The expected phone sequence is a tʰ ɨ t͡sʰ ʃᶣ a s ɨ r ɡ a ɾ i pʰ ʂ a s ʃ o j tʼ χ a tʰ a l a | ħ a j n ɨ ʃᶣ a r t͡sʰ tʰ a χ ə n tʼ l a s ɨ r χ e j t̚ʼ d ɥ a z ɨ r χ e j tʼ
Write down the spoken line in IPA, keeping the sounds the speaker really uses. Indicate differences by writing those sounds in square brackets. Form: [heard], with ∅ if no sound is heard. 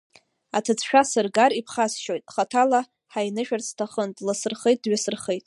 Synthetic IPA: a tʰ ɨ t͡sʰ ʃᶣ a s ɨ r ɡ a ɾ i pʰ [χ] a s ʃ o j tʼ χ a tʰ a l a | ħ a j n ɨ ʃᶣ a r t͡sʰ tʰ a χ ə n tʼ l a s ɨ r χ e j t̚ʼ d ɥ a [s] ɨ r χ e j tʼ